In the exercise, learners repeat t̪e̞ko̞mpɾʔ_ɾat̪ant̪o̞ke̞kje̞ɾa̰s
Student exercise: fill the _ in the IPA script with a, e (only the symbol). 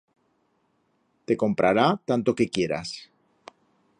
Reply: a